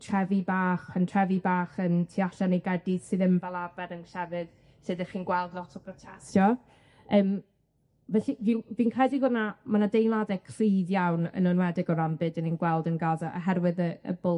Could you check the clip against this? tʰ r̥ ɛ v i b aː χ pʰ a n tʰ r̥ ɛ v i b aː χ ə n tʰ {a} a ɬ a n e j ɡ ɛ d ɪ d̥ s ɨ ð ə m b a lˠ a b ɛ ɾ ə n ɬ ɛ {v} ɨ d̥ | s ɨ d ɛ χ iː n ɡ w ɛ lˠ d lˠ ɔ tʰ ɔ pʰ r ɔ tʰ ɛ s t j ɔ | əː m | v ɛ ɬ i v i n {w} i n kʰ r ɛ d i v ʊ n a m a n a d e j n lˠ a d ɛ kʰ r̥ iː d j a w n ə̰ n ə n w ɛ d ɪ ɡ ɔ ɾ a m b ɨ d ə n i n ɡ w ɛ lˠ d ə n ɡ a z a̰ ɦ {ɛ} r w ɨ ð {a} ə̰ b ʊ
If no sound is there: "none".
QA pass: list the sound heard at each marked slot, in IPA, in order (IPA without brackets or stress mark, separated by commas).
i, v, v, ɛ, ə